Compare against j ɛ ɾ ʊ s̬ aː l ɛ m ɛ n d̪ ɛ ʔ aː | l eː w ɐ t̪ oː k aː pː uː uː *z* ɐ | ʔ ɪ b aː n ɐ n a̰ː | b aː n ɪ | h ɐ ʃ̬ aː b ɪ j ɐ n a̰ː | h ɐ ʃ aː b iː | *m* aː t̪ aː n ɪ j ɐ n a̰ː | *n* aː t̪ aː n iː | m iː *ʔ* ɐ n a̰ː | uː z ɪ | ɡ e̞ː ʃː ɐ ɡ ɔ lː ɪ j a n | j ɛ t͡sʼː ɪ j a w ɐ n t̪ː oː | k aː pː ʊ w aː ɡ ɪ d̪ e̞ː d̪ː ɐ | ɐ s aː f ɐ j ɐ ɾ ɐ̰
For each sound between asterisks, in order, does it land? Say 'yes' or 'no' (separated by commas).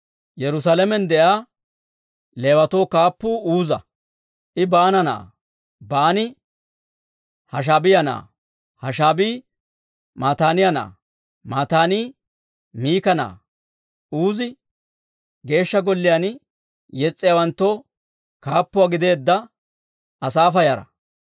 yes, yes, no, no